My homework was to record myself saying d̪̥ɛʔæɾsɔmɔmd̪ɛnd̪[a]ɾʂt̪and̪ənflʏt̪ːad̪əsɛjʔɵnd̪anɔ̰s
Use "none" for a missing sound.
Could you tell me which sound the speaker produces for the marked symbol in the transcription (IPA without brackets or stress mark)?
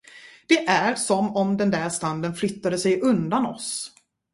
æ